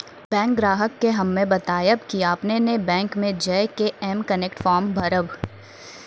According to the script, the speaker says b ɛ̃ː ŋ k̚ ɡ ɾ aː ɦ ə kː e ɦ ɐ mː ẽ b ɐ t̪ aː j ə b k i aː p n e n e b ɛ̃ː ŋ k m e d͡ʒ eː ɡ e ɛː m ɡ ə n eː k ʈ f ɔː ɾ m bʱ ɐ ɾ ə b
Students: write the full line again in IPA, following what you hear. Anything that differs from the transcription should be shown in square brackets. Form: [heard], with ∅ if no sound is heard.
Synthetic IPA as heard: b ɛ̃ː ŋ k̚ ɡ ɾ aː ɦ ə kː e ɦ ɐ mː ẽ b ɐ t̪ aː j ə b k i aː p n e n e b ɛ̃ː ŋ k m [ẽ] d͡ʒ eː [k] e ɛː m [k] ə n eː k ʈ f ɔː ɾ m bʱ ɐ ɾ ə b